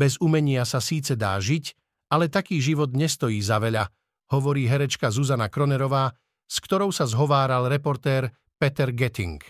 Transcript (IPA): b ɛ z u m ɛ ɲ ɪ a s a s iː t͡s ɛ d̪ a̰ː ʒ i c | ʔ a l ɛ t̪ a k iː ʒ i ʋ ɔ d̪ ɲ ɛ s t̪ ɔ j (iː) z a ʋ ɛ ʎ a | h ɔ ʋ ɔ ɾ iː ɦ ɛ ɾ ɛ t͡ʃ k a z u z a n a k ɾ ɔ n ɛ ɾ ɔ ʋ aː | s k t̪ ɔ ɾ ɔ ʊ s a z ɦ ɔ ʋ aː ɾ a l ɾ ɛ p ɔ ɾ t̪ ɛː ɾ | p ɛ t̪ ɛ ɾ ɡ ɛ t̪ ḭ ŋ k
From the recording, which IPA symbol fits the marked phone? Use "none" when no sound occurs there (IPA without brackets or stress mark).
iː